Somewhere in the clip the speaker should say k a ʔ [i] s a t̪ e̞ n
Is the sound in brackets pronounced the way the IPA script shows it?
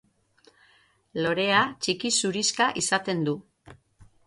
yes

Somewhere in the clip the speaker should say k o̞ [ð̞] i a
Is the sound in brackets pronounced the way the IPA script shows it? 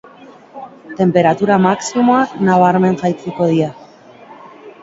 yes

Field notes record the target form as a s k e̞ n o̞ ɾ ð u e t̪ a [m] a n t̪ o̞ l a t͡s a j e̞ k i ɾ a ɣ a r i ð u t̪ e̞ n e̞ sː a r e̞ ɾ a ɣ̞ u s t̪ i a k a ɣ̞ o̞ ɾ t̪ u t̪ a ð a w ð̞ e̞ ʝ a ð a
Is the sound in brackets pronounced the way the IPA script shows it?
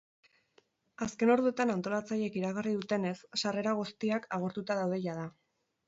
no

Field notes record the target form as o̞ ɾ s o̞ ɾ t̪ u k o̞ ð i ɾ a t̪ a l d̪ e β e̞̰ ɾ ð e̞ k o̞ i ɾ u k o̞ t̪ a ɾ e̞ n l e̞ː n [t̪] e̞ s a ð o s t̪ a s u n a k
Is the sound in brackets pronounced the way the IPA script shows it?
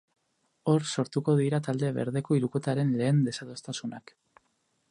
no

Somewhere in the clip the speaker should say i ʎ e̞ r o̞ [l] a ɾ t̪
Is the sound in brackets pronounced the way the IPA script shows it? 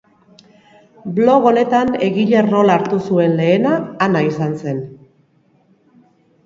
yes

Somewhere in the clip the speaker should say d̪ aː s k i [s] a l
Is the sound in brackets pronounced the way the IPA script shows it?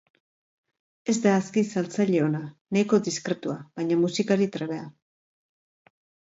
yes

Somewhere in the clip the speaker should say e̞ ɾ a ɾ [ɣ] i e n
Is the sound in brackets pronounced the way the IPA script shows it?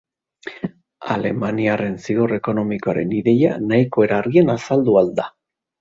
yes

